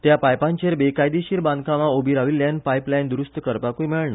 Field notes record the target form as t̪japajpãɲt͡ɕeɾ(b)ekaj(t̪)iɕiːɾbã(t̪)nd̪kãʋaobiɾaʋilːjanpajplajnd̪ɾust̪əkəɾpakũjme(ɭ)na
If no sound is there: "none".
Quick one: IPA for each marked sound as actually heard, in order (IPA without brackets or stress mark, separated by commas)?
b, d̪, none, ɭ